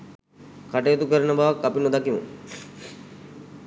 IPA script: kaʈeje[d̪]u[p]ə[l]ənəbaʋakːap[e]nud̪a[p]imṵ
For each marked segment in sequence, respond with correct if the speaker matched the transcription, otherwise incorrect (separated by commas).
incorrect, incorrect, incorrect, incorrect, incorrect